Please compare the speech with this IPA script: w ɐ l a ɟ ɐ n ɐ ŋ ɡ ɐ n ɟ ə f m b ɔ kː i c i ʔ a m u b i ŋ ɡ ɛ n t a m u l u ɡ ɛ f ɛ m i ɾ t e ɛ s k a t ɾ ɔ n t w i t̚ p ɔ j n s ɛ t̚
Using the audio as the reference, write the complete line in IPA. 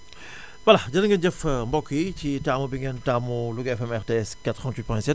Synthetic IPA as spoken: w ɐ l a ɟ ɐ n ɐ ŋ ɡ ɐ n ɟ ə f m b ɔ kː i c i t a m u b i ŋ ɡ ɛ n t a m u l u ɡ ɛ f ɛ m ɛ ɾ t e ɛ s k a t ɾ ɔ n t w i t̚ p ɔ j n s ɛ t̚